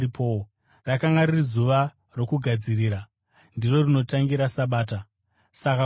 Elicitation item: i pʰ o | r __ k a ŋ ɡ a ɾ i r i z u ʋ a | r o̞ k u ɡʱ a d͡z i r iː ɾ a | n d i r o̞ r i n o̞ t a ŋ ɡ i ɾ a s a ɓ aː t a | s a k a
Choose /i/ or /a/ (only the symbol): a